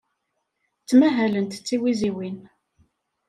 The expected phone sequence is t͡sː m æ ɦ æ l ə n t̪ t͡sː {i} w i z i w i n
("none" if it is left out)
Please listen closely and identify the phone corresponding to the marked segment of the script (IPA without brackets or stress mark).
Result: i